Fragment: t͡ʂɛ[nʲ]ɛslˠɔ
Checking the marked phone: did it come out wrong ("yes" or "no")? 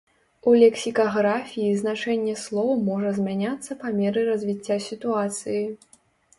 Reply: yes